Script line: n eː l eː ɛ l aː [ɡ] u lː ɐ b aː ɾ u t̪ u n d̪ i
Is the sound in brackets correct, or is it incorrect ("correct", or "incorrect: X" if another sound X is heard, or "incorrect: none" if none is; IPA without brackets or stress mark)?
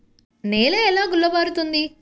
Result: correct